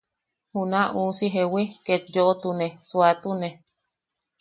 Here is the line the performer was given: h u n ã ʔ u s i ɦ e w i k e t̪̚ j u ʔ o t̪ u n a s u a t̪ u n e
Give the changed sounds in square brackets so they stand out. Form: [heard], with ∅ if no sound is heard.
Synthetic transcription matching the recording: h u n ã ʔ u s i ɦ e w i k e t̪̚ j [o] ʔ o t̪ u n [e] s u a t̪ u n e